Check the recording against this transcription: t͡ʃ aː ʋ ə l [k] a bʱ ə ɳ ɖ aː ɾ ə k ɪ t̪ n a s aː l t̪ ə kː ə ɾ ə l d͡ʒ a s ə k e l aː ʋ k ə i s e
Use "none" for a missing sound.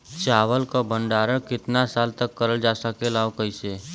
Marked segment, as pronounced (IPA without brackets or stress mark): k